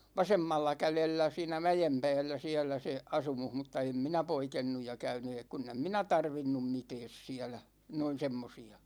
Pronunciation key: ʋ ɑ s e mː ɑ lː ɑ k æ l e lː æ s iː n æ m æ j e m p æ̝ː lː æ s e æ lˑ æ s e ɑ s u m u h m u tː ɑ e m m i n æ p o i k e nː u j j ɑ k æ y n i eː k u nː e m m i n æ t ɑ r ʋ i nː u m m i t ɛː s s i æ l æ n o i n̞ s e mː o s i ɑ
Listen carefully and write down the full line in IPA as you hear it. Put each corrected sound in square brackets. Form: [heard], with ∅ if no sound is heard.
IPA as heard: ʋ ɑ s e mː ɑ lː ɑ k æ l e lː æ s iː n æ m æ j e m p æ̝ː lː æ s [i] æ lˑ æ s e ɑ s u m u h m u tː ɑ e m m i n æ p o i k e nː u j j ɑ k æ y n [y] eː k u nː e m m i n æ t ɑ r ʋ i nː u m m i t ɛː s s i æ l æ n o i n̞ s e mː o s i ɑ